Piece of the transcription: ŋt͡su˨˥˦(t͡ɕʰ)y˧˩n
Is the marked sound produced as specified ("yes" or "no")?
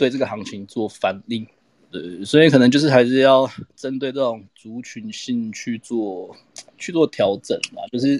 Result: yes